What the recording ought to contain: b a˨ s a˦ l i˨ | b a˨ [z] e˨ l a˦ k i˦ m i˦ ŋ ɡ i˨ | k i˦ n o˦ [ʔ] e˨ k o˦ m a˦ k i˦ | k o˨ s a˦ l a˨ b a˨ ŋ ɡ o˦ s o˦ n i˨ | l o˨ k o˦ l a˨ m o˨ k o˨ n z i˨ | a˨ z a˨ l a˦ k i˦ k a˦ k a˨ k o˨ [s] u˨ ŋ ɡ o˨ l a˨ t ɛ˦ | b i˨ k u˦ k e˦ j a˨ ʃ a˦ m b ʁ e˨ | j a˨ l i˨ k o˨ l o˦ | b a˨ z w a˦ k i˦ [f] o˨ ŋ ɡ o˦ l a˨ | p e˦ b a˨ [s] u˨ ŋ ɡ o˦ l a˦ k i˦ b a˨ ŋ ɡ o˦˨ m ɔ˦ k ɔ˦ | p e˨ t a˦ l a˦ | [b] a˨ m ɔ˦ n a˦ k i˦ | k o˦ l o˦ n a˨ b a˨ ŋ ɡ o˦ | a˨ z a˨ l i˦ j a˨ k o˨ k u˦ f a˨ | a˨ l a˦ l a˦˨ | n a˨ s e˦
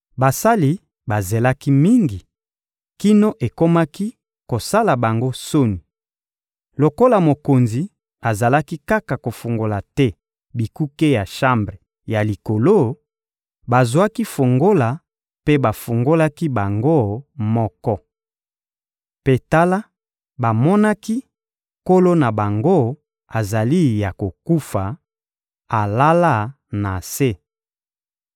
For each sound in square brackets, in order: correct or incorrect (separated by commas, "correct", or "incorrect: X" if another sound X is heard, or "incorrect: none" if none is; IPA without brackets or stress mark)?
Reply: correct, correct, incorrect: f, correct, incorrect: f, correct